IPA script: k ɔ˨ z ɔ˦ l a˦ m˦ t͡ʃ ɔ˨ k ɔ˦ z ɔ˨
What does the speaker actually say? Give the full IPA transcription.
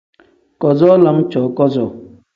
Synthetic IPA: k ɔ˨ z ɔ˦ l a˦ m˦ t͡ʃ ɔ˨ k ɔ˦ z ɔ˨